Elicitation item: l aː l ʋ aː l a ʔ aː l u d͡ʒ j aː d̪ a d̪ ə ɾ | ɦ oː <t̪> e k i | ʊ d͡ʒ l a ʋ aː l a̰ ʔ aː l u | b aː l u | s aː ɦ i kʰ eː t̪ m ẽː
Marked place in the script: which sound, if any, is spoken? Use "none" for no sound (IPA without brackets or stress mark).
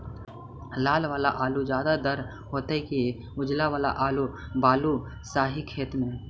t̪